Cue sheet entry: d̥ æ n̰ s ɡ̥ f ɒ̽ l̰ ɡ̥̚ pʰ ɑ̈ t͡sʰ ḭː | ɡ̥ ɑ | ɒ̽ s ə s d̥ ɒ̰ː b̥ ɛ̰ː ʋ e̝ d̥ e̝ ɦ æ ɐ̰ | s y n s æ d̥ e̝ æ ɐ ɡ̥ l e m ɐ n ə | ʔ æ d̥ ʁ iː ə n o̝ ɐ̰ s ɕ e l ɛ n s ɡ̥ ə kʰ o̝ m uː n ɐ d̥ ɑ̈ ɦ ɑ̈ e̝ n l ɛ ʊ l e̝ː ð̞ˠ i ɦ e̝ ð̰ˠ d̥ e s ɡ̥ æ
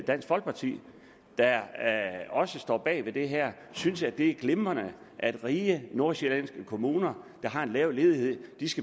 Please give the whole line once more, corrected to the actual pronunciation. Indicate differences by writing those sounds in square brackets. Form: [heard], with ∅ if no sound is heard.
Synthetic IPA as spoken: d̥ æ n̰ s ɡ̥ f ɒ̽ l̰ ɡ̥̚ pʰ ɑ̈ t͡sʰ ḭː | [d̥] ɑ | ɒ̽ s ə s d̥ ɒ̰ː b̥ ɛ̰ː ʋ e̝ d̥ e̝ ɦ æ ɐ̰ | s y n s æ d̥ e̝ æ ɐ ɡ̥ l e m ɐ n ə | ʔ æ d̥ ʁ iː ə n o̝ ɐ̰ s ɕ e l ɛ n s ɡ̥ ə kʰ o̝ m uː n ɐ d̥ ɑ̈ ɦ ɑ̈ e̝ n l ɛ ʊ l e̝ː ð̞ˠ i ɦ e̝ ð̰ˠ d̥ [i] s ɡ̥ æ